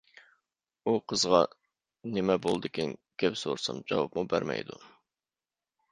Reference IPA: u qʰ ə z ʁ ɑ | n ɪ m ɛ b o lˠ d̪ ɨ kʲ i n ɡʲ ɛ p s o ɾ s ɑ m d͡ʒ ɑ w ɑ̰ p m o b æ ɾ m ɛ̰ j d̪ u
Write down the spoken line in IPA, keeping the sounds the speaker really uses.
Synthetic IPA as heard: u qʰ ə z ʁ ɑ | n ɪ m ɛ b o lˠ d̪ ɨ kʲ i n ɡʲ ɛ p s o ɾ s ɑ m d͡ʒ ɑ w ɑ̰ p m u b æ ɾ m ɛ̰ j d̪ u